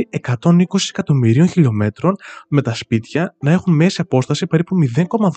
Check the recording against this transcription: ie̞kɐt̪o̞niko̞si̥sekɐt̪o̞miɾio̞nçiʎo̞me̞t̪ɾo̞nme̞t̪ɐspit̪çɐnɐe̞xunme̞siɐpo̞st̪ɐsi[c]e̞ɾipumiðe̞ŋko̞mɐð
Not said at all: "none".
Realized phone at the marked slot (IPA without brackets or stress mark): p